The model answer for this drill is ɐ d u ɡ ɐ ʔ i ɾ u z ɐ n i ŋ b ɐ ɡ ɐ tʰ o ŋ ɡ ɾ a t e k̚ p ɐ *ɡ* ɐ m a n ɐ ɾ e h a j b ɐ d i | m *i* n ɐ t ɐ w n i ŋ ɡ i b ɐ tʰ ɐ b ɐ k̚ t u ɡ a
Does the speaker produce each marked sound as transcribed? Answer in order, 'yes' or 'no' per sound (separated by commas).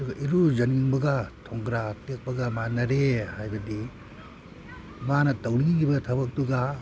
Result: yes, no